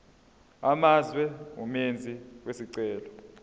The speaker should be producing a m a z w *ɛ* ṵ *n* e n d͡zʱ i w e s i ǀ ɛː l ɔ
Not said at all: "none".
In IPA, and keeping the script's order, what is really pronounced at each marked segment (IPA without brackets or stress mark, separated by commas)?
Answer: ɛ, m